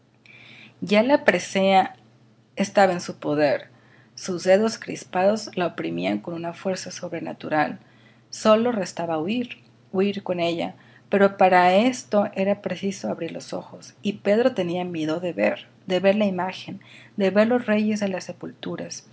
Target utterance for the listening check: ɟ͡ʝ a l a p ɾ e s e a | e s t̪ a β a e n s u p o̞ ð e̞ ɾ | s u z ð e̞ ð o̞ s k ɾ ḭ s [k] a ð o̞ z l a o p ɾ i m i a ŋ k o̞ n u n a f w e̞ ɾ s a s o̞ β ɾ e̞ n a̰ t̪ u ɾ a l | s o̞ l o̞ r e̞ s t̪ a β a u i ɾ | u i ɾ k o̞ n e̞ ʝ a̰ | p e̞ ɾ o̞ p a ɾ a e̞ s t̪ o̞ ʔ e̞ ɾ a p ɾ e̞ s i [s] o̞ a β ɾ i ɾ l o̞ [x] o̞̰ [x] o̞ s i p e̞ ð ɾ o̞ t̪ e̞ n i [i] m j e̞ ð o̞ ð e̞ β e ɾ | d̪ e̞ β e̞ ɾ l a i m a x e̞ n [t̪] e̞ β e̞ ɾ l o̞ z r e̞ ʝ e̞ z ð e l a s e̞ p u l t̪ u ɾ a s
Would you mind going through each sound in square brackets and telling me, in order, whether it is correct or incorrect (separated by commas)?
incorrect, correct, incorrect, correct, incorrect, incorrect